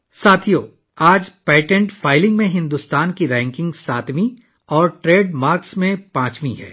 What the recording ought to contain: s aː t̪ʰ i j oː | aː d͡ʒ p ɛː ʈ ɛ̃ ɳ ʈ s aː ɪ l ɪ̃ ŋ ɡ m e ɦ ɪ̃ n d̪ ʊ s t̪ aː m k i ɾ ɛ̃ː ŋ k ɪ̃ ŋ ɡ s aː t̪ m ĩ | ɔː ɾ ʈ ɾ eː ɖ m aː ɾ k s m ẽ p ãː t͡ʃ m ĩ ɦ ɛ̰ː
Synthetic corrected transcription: s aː t̪ʰ i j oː | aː d͡ʒ p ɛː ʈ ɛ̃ ɳ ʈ f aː ɪ l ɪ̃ ŋ ɡ m ẽ ɦ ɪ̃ n d̪ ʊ s t̪ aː n k i ɾ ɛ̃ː ŋ k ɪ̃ ŋ ɡ s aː t̪ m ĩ | ɔː ɾ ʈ ɾ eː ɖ m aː ɾ k s m ẽ p ãː t͡ʃ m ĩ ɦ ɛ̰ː